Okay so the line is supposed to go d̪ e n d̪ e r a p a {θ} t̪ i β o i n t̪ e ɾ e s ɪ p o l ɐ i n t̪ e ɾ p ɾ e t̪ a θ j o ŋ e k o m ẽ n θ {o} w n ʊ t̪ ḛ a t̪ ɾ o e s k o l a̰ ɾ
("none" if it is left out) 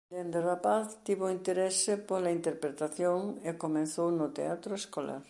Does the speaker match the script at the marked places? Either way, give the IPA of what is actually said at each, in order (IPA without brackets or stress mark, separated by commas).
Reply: θ, o